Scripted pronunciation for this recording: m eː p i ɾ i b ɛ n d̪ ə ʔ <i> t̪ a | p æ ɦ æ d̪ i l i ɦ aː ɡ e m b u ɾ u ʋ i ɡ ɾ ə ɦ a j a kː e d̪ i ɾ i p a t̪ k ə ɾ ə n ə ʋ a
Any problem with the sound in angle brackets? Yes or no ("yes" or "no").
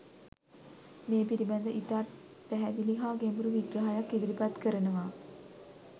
no